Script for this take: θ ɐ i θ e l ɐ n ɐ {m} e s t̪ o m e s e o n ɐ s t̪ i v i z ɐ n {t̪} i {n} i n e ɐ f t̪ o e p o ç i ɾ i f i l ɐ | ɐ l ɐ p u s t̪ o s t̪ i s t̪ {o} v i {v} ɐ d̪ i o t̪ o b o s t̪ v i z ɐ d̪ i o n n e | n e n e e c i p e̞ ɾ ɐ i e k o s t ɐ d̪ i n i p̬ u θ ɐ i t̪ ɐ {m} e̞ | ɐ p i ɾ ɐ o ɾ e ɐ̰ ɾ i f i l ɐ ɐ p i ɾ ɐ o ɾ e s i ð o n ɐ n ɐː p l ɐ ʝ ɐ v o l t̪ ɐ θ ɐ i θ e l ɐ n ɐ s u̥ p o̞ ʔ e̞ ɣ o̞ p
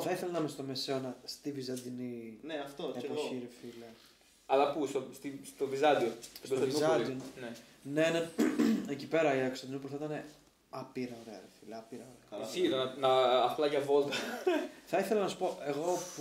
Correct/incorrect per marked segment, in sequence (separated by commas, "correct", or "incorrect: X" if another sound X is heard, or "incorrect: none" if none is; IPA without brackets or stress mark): correct, incorrect: d̪, correct, correct, incorrect: z, incorrect: n